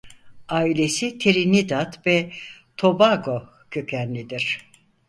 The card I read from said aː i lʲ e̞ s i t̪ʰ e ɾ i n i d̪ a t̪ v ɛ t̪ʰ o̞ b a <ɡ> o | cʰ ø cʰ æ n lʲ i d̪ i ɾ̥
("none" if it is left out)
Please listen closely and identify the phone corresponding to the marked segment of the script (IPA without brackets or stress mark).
ɡ